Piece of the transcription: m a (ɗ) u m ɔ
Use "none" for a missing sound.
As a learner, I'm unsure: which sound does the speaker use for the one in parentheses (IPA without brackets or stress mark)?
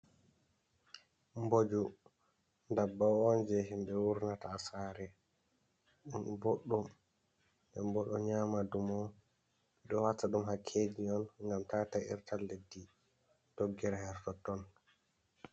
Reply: d